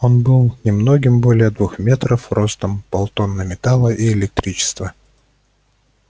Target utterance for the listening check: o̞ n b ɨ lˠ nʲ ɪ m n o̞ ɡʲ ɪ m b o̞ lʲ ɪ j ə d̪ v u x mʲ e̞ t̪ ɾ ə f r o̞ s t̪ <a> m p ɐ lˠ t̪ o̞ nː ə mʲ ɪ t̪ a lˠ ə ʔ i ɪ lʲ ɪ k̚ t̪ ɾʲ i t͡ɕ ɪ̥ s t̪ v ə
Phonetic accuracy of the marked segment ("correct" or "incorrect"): incorrect